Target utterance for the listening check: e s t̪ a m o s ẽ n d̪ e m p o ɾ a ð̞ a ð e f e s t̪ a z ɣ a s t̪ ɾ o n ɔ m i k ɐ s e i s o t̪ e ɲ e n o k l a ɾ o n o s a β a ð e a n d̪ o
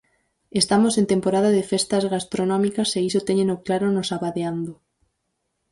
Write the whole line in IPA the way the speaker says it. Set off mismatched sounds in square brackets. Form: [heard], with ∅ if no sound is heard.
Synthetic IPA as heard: e s t̪ a m o s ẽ n [t̪] e m p o ɾ a ð̞ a ð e f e s t̪ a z ɣ a s t̪ ɾ o n ɔ m i k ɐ s e i s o t̪ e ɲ e n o k l a ɾ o n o s a β a ð e a n d̪ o